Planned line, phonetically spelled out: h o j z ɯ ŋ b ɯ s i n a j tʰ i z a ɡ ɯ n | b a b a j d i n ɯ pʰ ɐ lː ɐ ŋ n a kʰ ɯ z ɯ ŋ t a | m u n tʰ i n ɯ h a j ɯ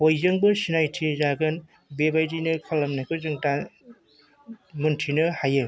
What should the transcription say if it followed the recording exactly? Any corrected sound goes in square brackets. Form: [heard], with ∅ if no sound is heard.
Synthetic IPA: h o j z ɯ ŋ b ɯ s i n a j tʰ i z a ɡ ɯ n | b [e] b a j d i n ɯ [kʰ] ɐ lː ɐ [m] n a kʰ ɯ z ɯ ŋ t a | m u n tʰ i n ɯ h a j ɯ